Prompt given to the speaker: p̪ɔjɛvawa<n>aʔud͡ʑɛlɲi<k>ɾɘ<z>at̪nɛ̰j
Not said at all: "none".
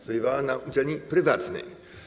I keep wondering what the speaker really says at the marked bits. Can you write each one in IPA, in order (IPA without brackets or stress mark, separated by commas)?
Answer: n, p, v